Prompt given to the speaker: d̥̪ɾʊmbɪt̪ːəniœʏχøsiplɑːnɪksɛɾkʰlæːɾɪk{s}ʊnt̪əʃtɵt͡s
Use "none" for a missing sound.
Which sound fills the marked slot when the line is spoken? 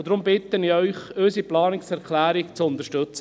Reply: t͡s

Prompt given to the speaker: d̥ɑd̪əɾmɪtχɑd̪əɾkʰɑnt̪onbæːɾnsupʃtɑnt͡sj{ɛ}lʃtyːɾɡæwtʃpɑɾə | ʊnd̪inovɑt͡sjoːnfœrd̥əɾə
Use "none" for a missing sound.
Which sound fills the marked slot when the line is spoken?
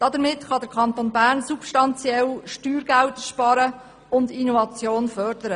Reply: ɛ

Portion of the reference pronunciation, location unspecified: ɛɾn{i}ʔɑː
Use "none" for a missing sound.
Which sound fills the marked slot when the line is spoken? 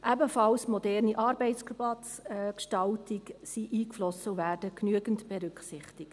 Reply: i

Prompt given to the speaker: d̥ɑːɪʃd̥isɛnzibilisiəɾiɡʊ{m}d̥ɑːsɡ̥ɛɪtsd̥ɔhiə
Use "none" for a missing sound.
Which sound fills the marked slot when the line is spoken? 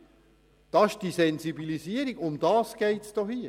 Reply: m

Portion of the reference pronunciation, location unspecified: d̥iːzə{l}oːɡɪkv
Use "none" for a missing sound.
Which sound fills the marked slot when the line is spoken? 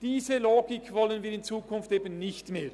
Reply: l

